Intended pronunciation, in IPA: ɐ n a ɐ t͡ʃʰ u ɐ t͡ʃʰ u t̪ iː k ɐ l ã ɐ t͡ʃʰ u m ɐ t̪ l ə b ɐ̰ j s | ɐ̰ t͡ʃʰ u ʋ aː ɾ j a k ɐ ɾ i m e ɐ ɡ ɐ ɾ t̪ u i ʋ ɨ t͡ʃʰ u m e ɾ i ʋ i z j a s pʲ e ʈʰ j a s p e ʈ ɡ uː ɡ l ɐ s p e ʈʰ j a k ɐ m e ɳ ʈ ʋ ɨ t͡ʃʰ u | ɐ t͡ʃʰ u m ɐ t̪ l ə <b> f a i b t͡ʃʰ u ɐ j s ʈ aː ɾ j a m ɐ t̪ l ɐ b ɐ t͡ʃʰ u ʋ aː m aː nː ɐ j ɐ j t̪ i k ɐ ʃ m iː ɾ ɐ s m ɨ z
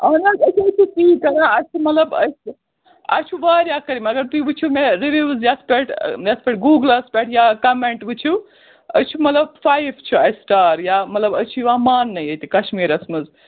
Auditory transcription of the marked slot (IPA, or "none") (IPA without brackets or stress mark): b